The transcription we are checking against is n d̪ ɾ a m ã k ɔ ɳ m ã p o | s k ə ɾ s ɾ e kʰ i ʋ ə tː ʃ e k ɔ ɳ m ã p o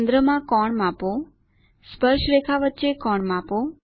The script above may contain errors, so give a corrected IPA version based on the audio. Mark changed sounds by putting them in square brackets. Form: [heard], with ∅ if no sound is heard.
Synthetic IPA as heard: n d̪ ɾ [ə] m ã k ɔ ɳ m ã p o | s [p] ə ɾ [ʃ] ɾ e kʰ [a] ʋ ə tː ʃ e k ɔ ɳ m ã p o